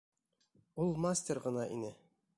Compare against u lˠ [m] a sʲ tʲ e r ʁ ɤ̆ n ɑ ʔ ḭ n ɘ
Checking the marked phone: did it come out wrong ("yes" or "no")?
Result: no